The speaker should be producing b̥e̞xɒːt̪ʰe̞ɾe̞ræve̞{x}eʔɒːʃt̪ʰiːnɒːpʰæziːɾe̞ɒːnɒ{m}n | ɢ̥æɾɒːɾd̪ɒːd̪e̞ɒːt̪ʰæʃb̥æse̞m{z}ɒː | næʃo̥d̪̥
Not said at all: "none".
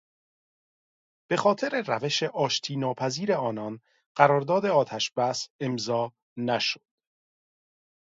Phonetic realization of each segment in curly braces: ʃ, none, z

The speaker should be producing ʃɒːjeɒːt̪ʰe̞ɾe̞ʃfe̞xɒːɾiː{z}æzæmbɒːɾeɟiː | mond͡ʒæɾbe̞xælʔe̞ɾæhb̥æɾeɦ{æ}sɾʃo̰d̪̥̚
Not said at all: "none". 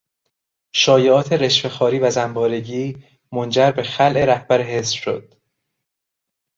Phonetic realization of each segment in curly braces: v, e

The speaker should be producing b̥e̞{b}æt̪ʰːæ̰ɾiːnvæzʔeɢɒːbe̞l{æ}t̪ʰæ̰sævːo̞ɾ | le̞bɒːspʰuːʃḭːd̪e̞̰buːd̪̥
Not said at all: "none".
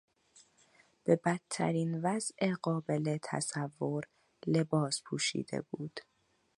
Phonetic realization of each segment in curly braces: b, e

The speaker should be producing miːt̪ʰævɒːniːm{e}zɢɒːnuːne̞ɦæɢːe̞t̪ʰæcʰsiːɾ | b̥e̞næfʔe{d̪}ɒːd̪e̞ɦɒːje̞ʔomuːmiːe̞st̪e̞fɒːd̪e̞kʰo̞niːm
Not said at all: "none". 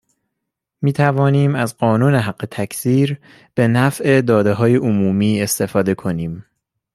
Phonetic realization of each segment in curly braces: æ, d̪

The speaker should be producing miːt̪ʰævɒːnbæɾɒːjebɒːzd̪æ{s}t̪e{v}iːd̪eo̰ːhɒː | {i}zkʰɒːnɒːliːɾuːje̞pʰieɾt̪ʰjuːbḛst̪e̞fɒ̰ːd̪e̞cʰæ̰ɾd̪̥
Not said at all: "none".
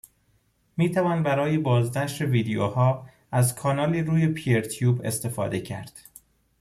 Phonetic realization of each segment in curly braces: ʃ, v, æ

